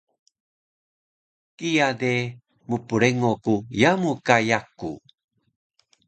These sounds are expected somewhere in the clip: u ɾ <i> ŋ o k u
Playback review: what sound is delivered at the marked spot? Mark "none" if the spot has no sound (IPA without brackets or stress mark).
e